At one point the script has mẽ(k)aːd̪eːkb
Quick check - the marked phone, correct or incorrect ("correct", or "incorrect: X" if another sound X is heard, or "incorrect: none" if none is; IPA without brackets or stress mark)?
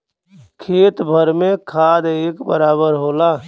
incorrect: kʰ